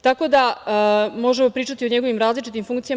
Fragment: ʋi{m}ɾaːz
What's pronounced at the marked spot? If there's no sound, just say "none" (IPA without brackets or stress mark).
m